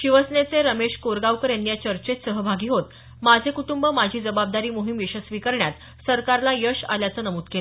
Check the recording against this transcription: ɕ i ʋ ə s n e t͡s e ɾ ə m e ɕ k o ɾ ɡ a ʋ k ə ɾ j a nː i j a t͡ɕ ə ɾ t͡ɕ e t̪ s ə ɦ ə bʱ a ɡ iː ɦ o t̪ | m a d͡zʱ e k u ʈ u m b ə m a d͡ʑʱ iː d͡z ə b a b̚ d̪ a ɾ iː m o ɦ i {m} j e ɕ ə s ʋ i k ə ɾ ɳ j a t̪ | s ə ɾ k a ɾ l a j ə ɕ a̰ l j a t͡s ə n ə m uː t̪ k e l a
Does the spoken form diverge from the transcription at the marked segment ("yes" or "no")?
no